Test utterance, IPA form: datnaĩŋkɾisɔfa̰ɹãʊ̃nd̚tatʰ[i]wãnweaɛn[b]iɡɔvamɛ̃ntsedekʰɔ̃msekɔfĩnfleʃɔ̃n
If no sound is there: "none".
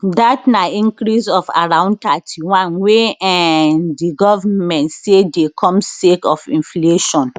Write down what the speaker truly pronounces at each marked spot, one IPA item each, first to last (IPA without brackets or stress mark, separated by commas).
i, d